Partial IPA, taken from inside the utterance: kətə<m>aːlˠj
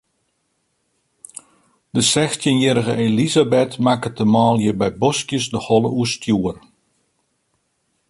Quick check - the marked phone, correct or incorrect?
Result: correct